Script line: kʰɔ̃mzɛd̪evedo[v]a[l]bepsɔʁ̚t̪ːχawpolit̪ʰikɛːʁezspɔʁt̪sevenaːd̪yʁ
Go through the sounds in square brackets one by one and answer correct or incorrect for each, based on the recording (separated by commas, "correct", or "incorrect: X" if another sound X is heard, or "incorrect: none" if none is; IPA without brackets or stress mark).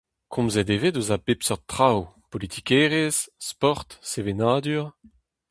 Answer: incorrect: z, incorrect: none